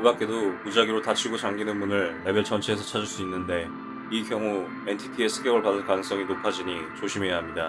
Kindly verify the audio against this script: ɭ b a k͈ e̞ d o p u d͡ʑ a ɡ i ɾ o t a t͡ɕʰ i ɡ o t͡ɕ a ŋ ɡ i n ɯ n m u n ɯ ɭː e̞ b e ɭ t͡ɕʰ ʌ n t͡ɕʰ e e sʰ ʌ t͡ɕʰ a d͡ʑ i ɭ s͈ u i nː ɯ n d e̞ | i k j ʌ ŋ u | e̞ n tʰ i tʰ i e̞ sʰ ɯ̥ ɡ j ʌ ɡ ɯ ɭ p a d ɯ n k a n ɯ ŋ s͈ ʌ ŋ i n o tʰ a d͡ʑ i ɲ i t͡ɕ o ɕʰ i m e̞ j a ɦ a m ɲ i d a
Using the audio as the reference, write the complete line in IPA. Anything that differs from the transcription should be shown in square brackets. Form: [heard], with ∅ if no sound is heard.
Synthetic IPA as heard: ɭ b a k͈ e̞ d o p u d͡ʑ a ɡ i ɾ o t a t͡ɕʰ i ɡ o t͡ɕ a ŋ ɡ i n ɯ n m u n ɯ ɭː e̞ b e ɭ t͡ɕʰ ʌ n t͡ɕʰ e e sʰ ʌ t͡ɕʰ a d͡ʑ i ɭ s͈ u i nː ɯ n d e̞ | i k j ʌ ŋ u | e̞ n tʰ i tʰ i e̞ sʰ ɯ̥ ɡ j ʌ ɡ ɯ ɭ p a d ɯ n k a n ɯ ŋ s͈ ʌ ŋ i n o [pʰ] a d͡ʑ i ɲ i t͡ɕ o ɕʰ i m e̞ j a ɦ a m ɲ i d a